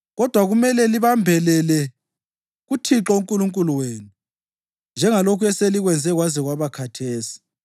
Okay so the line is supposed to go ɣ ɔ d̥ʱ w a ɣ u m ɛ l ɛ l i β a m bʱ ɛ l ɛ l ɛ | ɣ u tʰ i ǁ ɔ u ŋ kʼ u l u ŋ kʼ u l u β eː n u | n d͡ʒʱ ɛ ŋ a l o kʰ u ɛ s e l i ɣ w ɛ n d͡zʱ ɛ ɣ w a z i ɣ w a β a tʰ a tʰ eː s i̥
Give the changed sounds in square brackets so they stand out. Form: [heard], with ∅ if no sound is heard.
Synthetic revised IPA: ɣ ɔ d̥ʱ w a ɣ u m ɛ l ɛ l i β a m bʱ ɛ l ɛ l ɛ | ɣ u tʰ i ǁ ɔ u ŋ kʼ u l u ŋ kʼ u l u [w] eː n u | n d͡ʒʱ ɛ ŋ a l o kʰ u ɛ s e l i ɣ w ɛ n d͡zʱ ɛ ɣ w a z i ɣ w a β a [kʰ] a tʰ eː s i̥